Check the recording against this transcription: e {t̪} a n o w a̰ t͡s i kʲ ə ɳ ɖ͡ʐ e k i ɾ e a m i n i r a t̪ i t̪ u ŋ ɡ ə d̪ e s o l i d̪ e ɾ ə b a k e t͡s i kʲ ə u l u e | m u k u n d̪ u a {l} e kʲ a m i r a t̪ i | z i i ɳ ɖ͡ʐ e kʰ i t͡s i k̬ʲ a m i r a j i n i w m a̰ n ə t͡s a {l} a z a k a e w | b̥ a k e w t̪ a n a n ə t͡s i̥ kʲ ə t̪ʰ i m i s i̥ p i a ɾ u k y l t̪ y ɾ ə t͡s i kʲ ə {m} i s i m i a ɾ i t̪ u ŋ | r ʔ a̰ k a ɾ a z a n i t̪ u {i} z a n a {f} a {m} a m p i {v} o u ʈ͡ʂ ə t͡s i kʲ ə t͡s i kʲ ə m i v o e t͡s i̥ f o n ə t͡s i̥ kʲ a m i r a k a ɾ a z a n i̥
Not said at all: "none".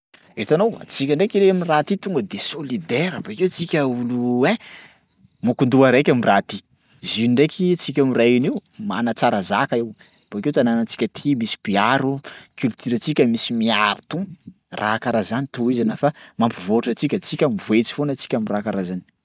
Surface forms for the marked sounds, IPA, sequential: t̪, ɾ, ɾ, m, i, f, m, v

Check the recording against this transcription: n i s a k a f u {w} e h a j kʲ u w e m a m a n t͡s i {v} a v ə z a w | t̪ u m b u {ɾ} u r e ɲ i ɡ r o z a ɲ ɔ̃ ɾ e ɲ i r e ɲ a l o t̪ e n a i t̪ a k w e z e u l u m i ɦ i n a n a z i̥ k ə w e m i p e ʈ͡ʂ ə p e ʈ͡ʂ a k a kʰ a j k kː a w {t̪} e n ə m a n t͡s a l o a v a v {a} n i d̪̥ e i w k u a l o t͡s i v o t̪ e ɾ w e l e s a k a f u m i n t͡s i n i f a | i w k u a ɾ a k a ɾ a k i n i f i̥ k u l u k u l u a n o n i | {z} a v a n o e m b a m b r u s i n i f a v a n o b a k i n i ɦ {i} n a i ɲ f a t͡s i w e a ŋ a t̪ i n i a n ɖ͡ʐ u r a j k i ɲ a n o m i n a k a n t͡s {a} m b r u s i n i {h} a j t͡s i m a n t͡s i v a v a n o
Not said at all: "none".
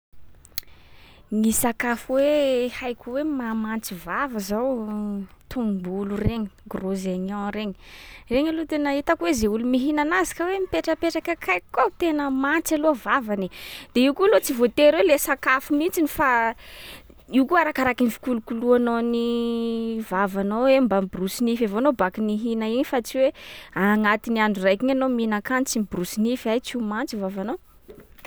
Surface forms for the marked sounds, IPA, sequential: w, v, l, t̪, a, v, i, i, f

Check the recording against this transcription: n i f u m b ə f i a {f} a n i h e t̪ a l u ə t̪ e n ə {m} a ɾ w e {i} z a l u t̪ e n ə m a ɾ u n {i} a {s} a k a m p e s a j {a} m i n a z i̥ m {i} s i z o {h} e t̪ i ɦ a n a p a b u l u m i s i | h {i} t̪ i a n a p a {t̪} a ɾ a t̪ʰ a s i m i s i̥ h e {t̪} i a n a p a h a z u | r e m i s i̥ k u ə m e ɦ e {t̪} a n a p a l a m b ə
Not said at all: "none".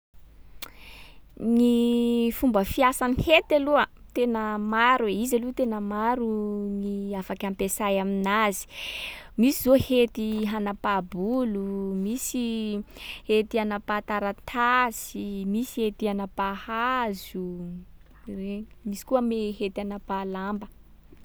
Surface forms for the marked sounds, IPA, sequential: s, m, i, i, f, a, i, h, e, t̪, t̪, t̪

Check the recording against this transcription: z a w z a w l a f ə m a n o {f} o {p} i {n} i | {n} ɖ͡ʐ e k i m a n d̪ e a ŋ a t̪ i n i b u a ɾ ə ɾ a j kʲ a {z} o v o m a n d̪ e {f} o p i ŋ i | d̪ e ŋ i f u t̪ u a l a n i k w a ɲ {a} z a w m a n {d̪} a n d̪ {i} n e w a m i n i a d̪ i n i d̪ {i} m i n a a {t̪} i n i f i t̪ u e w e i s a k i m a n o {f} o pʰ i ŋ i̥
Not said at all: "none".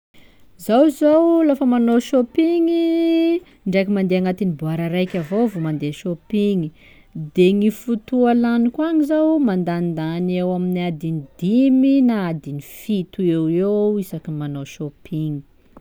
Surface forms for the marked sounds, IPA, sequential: ʃ, p, ŋ, ɳ, v, ʃ, i, d̪, a, i, d̪, ʃ

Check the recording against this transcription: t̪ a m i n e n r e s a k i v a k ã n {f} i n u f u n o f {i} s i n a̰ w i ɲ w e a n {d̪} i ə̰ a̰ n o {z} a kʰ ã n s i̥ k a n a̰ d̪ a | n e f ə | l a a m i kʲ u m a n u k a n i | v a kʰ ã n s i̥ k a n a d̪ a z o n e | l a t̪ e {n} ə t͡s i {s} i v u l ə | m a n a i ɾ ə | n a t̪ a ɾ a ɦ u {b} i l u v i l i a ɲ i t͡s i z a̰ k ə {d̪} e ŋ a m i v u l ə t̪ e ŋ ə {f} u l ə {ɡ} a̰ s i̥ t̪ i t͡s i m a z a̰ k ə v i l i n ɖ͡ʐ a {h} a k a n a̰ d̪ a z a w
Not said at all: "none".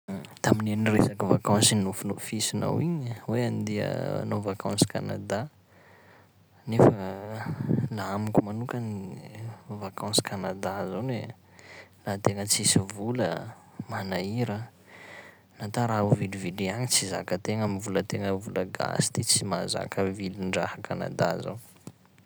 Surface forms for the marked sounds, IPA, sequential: s, i, d̪, v, ŋ, s, v, t̪, v, ɡ, h

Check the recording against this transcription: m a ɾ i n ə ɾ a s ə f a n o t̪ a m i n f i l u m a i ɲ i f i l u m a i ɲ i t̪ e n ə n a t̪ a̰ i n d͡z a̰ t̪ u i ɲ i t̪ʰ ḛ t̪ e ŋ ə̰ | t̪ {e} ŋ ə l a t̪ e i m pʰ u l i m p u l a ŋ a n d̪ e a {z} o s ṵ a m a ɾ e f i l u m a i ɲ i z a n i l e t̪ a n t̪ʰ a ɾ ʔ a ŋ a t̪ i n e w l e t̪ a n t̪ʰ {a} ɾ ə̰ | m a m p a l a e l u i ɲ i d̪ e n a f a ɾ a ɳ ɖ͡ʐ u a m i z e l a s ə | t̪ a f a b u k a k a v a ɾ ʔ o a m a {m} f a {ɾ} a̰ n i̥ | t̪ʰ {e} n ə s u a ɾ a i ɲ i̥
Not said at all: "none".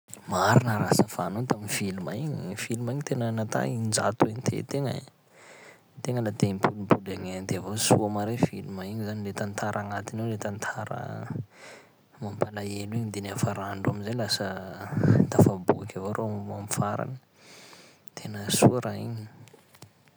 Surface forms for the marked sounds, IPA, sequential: e, v, a, m, ɾ, e

